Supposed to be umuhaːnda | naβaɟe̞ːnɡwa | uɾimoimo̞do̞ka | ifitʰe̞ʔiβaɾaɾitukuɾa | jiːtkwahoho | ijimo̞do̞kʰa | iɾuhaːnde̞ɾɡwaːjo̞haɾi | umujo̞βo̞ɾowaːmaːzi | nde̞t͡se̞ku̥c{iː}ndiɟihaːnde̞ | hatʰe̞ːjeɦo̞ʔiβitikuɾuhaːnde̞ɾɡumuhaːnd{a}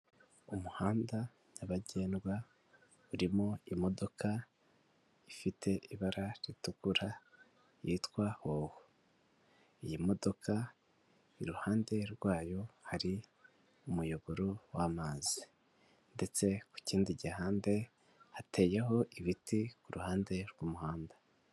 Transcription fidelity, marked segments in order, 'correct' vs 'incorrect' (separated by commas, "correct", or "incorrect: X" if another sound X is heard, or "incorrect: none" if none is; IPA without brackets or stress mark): correct, correct